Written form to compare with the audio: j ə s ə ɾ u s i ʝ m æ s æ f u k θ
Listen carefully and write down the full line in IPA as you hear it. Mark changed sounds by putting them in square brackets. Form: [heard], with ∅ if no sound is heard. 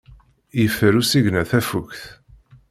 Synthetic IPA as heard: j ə [f] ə ɾ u s i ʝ [n] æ [θ] æ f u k θ